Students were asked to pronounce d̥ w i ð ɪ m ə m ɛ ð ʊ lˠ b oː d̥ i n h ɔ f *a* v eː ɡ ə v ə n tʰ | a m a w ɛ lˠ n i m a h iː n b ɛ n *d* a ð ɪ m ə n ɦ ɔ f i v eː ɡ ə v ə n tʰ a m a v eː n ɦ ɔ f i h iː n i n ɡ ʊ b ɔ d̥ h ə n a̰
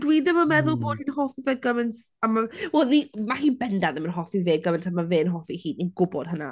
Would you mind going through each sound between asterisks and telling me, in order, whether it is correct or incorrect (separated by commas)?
incorrect, correct